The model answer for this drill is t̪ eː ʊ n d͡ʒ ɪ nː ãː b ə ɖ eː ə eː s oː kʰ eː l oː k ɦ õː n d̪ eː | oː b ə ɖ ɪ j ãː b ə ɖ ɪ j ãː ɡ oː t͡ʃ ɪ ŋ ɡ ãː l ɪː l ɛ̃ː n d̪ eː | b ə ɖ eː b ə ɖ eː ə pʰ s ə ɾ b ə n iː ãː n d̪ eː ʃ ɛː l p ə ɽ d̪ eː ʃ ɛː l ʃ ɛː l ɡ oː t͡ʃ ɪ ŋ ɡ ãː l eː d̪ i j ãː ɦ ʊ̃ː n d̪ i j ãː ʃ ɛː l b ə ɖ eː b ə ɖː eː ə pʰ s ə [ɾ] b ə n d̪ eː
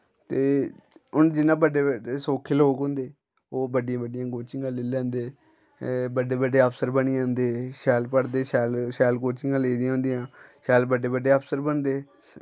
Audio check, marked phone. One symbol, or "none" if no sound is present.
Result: ɾ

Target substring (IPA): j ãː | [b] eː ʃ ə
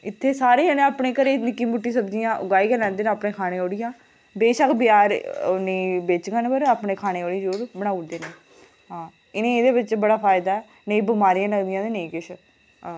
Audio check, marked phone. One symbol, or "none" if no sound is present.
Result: b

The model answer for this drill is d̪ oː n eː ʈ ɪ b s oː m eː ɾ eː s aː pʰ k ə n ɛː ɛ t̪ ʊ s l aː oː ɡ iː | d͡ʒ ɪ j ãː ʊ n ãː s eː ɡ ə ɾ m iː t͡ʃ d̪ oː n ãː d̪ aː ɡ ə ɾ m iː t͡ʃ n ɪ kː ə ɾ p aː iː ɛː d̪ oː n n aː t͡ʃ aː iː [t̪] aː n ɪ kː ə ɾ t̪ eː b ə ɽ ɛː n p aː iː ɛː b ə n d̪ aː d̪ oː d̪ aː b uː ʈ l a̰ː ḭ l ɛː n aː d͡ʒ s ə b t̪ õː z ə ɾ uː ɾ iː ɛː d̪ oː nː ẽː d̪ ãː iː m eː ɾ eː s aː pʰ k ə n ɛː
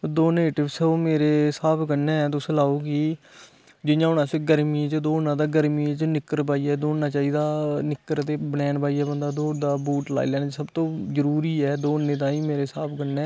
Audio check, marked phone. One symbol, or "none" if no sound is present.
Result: d̪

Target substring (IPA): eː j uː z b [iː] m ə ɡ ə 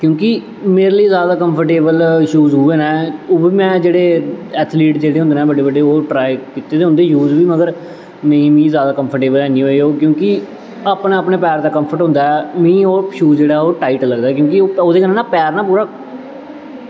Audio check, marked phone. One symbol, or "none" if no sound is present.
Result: iː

